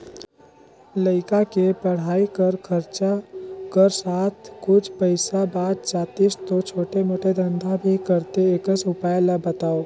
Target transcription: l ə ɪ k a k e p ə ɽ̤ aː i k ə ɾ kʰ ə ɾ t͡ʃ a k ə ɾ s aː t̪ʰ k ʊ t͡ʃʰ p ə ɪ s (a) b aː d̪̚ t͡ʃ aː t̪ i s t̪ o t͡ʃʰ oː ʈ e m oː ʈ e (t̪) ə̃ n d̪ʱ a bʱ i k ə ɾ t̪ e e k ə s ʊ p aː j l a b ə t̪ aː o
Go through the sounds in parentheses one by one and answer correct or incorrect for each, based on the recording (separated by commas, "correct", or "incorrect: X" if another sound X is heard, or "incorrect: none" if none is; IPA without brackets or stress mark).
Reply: correct, incorrect: d̪